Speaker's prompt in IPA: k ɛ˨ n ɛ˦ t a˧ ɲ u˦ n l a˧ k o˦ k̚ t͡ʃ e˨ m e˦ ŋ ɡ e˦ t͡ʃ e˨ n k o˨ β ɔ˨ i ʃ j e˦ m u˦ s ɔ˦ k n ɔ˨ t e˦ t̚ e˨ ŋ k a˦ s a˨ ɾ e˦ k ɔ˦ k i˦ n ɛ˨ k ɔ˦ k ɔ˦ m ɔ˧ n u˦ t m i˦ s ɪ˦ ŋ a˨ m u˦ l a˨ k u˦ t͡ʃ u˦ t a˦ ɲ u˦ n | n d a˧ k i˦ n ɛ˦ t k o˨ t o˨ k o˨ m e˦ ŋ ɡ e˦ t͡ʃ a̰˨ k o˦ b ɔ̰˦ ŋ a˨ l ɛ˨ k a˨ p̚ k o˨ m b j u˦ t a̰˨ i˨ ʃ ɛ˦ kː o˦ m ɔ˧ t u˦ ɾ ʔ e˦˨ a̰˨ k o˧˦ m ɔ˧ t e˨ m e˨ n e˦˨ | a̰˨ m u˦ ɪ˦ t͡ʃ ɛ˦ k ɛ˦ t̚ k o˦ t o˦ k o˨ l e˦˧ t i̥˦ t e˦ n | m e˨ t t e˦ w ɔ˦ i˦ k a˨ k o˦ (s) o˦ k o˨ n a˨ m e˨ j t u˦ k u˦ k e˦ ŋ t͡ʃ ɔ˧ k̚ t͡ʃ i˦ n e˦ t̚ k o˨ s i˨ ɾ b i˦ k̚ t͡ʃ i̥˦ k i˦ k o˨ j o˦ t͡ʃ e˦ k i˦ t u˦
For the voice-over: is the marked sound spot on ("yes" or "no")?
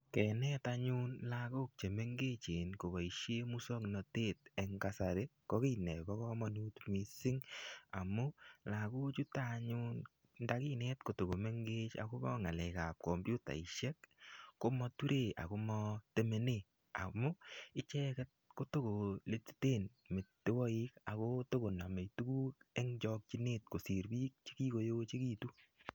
no